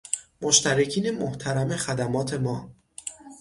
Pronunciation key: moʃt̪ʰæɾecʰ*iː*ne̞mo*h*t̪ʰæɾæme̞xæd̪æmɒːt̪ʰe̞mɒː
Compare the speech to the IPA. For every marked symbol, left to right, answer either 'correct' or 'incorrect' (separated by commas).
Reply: correct, correct